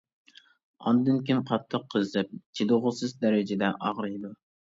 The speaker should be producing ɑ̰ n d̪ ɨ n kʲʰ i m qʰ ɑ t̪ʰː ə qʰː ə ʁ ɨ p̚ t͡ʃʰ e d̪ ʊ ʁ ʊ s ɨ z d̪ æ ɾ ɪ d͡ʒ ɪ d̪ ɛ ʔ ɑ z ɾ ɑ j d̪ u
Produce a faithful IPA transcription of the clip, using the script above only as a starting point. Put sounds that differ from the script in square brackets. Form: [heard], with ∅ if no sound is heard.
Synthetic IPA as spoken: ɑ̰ n d̪ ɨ n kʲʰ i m qʰ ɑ t̪ʰː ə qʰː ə [z] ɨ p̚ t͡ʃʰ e d̪ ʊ ʁ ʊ s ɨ z d̪ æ ɾ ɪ d͡ʒ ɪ d̪ ɛ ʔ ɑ [ʁ] ɾ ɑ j d̪ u